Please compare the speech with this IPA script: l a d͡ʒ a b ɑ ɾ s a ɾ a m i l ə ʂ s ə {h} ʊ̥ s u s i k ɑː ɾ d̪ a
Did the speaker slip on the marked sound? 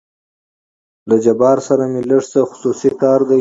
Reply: yes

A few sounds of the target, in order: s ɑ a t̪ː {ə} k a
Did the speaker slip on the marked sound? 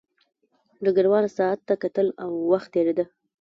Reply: yes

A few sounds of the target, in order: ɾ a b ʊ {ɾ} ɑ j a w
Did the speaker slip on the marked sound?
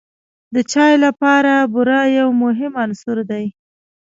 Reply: no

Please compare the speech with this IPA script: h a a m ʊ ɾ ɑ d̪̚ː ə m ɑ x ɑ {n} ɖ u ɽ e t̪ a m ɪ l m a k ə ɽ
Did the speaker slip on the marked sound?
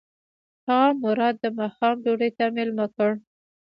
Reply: yes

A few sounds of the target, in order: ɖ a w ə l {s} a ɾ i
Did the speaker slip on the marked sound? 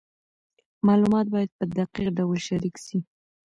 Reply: yes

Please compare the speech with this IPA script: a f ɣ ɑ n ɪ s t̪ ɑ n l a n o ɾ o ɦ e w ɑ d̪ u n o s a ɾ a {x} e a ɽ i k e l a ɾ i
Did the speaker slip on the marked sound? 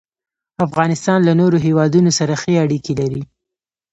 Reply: no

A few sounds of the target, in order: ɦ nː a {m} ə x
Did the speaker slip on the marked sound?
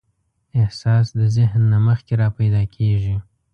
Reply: no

